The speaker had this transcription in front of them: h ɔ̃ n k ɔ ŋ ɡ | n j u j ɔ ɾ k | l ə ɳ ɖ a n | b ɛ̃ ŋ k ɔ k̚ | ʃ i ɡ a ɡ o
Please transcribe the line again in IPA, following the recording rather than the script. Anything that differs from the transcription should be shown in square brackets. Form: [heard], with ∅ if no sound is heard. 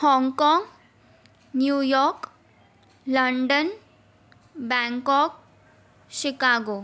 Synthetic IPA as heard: h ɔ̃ [ŋ] k ɔ ŋ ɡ | n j u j ɔ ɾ k | l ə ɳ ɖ [ə] n | b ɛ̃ ŋ k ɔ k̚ | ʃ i [k] a ɡ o